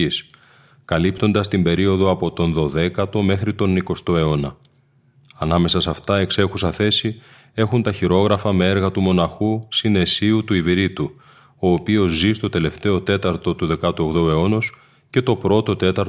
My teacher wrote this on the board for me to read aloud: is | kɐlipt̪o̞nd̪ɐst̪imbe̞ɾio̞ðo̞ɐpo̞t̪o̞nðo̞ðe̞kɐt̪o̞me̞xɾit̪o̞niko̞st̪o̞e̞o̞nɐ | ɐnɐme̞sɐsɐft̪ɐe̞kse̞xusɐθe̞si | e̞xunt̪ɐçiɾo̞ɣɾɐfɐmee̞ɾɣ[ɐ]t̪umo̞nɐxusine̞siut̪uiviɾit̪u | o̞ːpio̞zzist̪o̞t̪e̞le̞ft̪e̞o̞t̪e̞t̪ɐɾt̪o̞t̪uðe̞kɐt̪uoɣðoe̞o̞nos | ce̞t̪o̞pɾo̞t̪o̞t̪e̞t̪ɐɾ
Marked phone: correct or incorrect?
correct